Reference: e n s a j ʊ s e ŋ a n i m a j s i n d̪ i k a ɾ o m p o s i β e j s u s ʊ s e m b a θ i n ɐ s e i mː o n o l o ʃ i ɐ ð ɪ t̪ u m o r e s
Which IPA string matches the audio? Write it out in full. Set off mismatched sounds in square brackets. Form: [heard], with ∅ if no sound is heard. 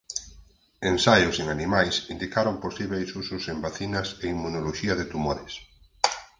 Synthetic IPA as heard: e n s a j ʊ s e ŋ a n i m a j s i n d̪ i k a ɾ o m p o s i β e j s u s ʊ s e m b a θ i n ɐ s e i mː [u] n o l o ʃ i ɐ ð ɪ t̪ u m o [ɾ] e s